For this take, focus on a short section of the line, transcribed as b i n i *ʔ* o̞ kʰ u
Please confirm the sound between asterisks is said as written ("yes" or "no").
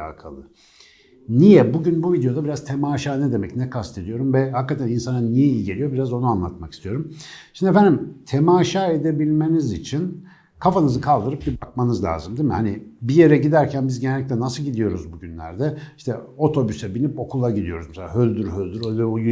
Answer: no